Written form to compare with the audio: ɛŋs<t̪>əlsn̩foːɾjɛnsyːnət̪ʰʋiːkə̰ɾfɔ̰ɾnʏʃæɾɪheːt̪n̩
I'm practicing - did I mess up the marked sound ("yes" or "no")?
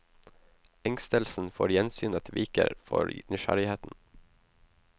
no